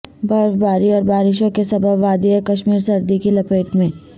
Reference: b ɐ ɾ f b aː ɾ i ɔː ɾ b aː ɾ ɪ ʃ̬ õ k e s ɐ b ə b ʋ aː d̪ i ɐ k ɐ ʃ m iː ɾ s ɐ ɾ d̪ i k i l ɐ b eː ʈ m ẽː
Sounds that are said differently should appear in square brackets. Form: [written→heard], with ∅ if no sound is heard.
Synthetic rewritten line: b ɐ ɾ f b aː ɾ i ɔː ɾ b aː ɾ ɪ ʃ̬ õ k e s ɐ b ə b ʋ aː d̪ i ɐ k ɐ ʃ m iː ɾ s ɐ ɾ d̪ i k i l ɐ [b→p] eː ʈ m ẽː